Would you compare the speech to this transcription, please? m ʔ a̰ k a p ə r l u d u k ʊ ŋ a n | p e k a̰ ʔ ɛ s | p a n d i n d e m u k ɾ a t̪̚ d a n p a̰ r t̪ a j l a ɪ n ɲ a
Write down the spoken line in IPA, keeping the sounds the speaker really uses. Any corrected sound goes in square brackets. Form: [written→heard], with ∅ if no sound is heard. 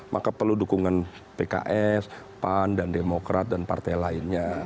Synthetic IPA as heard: m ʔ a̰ k a p ə r l u d u k [ʊ→u] ŋ a n | p e k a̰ ʔ ɛ s | p a n d [i→a] n d e m [u→o] k ɾ a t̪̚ d a n p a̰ r t̪ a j l a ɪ n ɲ a